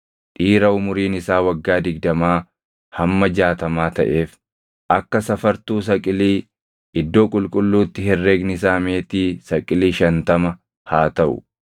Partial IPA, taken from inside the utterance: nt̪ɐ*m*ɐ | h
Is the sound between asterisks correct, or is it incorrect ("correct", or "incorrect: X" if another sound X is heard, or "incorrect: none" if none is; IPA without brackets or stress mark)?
correct